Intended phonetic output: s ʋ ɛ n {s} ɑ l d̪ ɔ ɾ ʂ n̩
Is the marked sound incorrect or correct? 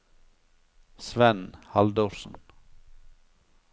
incorrect